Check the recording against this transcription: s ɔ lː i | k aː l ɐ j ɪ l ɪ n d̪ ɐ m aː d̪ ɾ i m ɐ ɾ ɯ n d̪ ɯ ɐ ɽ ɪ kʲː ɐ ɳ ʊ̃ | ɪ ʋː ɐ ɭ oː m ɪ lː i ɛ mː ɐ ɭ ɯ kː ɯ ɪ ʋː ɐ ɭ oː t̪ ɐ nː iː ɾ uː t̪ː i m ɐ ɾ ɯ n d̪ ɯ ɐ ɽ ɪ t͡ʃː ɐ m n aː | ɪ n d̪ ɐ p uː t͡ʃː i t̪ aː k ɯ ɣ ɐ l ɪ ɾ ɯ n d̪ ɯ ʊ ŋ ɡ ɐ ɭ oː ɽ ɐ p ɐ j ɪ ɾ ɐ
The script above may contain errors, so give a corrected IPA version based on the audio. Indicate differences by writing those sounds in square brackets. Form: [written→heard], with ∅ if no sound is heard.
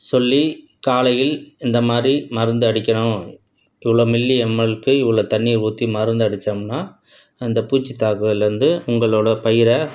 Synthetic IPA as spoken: s ɔ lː i | k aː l ɐ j ɪ l ɪ n d̪ ɐ m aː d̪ ɾ i m ɐ ɾ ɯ n d̪ ɯ ɐ ɽ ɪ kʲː ɐ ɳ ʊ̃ | ɪ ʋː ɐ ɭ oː m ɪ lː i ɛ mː ɐ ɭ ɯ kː ɯ ɪ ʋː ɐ ɭ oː t̪ ɐ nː iː ɾ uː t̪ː i m ɐ ɾ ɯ n d̪ ɯ ɐ ɽ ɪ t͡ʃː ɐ m n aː | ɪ n d̪ ɐ p uː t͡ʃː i t̪ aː k ɯ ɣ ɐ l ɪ ɾ ɯ n d̪ ɯ ʊ ŋ ɡ ɐ ɭ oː ɽ ɐ p ɐ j ɪ ɾ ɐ